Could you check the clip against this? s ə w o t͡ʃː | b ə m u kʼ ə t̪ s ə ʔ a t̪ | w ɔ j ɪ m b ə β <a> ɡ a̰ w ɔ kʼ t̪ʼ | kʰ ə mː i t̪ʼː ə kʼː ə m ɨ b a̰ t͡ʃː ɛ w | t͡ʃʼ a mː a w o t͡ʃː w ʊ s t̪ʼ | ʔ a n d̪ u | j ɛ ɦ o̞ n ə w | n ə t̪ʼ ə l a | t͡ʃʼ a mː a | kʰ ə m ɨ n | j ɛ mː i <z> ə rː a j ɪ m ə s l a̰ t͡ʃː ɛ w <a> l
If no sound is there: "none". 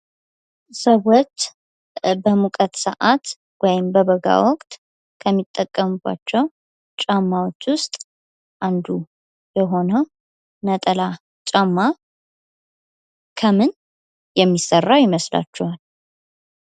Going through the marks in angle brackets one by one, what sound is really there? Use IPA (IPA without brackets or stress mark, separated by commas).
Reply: ə, s, a